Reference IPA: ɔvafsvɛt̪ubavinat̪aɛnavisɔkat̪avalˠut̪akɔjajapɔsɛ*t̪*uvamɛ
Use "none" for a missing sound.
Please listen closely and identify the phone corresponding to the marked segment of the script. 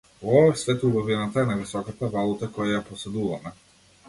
d̪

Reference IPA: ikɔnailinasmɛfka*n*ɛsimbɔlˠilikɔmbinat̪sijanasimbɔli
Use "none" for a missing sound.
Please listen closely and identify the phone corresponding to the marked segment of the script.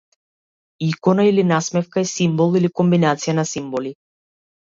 none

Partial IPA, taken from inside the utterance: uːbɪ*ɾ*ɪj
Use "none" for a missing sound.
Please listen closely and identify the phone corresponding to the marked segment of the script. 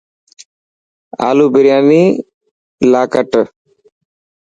ɾ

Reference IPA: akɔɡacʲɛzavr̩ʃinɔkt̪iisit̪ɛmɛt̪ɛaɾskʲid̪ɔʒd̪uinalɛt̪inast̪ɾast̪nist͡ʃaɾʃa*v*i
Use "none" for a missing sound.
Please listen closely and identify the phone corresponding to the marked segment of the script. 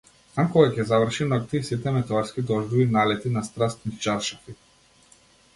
f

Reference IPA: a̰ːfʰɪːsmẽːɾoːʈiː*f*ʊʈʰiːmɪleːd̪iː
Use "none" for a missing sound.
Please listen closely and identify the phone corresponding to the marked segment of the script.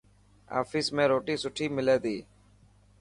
s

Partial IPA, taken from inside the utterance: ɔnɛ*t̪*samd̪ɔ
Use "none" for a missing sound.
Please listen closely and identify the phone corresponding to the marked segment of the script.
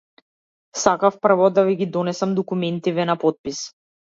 none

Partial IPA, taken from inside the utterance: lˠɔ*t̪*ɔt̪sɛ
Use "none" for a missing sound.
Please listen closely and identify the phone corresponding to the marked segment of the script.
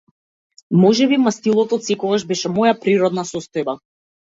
t̪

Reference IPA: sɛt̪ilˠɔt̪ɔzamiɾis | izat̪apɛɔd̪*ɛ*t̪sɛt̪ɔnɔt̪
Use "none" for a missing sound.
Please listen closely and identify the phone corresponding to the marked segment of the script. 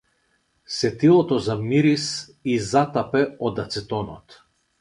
a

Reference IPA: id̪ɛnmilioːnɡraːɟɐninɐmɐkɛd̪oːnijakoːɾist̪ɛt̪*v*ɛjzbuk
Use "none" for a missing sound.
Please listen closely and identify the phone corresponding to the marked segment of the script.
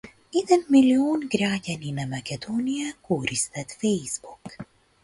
f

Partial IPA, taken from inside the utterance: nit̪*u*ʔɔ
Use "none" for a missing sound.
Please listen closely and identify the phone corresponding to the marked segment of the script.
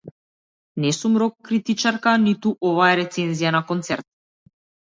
u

